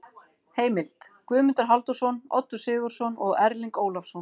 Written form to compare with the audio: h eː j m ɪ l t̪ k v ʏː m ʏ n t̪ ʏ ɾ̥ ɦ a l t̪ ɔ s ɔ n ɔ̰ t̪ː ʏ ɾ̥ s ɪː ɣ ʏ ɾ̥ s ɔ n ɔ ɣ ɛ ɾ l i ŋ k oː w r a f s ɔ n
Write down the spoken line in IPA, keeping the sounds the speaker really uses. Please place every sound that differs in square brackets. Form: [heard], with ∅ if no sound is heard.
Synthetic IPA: h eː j m ɪ l t̪ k v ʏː m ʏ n t̪ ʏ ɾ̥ ɦ a l t̪ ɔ s ɔ n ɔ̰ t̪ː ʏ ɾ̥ s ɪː ɣ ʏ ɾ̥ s ɔ n ɔ ɣ ɛ ɾ l i ŋ k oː w [l] a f s ɔ n